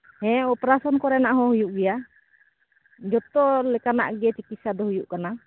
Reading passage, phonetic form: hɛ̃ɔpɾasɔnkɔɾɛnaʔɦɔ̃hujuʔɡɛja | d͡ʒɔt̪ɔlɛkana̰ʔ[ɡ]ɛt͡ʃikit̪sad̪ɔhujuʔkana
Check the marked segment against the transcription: correct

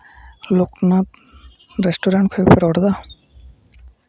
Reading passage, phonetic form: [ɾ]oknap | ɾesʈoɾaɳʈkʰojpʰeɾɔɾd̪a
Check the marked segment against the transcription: incorrect: l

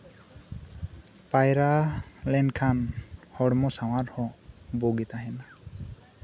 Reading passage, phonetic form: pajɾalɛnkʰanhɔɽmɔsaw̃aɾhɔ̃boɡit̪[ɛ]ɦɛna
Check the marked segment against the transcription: incorrect: a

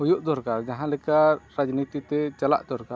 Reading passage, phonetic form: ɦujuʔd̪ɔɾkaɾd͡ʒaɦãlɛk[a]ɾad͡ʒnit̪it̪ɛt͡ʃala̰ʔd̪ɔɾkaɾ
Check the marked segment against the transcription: correct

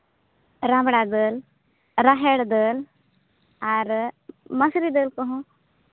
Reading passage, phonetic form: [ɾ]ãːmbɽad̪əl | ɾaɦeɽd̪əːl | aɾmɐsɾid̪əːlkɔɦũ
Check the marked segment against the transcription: correct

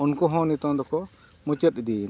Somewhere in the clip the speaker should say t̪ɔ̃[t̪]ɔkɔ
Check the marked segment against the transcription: incorrect: d̪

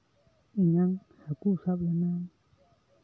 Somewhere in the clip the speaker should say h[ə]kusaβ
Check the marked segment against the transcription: incorrect: a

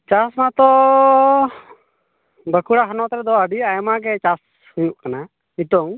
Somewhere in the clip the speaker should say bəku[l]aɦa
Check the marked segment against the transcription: incorrect: ɽ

